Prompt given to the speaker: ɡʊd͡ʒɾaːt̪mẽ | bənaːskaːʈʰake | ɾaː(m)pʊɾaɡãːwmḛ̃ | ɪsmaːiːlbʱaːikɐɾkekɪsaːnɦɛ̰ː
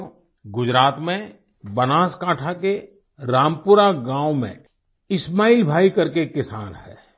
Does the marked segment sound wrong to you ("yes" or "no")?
no